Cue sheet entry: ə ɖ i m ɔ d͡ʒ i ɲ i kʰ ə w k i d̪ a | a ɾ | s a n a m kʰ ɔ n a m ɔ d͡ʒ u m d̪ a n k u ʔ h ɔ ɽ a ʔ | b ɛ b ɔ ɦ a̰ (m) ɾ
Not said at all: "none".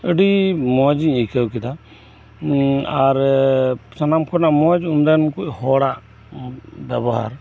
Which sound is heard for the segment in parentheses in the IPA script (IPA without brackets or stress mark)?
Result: none